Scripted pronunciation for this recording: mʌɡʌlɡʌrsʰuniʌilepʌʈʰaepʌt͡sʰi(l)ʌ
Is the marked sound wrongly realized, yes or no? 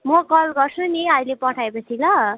no